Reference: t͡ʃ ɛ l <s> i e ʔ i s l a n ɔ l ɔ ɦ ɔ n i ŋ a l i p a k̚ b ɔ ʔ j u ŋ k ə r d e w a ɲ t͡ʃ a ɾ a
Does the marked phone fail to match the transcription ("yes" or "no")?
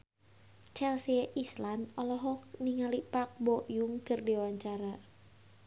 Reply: no